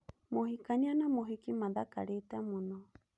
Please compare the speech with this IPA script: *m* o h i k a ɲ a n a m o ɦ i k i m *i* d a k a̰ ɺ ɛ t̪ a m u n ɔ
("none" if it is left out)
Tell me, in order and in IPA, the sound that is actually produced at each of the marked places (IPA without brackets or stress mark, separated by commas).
m, a